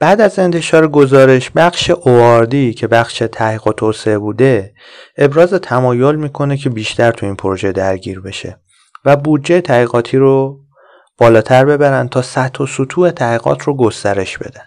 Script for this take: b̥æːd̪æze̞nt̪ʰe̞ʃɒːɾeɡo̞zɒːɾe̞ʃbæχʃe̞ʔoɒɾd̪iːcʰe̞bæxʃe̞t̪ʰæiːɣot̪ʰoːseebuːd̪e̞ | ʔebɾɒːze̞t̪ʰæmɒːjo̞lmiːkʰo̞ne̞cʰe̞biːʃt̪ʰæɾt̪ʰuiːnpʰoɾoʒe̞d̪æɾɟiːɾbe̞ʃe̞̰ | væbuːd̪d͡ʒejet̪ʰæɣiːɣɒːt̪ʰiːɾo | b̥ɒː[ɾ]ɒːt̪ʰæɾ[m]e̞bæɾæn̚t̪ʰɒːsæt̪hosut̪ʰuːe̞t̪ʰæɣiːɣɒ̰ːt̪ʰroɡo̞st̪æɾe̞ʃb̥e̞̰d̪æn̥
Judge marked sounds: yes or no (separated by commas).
no, no